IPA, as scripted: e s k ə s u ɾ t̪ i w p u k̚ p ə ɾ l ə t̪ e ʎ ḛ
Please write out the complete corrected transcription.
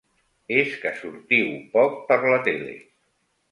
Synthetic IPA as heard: e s k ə s u ɾ t̪ i w p ɔ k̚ p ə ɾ l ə t̪ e l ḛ